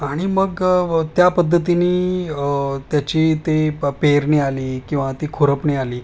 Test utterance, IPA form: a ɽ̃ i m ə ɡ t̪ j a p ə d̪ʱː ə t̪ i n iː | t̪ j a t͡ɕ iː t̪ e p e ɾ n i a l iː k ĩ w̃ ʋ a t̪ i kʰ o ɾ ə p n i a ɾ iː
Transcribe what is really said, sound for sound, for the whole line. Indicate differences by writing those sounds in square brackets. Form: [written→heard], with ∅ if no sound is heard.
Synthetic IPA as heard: a ɽ̃ i m ə ɡ t̪ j a p ə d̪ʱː ə t̪ i n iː | t̪ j a t͡ɕ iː t̪ e p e ɾ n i a l iː k ĩ w̃ ʋ a t̪ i kʰ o ɾ ə p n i a [ɾ→l] iː

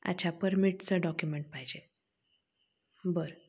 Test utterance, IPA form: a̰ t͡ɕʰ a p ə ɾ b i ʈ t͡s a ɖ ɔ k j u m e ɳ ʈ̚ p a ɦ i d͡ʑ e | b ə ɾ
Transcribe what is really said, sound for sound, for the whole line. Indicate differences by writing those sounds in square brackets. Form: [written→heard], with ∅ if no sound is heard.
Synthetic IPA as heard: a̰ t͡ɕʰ a p ə ɾ [b→m] i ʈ t͡s [a→ə] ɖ ɔ k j u m e ɳ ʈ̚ p a ɦ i d͡ʑ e | b ə ɾ

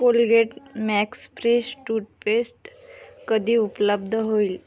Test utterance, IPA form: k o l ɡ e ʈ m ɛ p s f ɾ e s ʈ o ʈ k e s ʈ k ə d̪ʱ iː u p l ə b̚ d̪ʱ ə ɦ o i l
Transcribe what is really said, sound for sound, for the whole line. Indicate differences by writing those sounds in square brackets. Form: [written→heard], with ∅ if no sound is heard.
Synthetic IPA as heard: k o l ɡ e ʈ m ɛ [p→k] s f ɾ e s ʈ [o→u] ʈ [k→p] e s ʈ k ə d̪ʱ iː u p l ə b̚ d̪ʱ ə ɦ o i l

